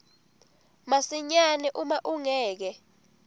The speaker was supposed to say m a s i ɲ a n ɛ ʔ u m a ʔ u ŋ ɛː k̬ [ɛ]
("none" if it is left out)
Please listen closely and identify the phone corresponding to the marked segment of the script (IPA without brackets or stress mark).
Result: ɛ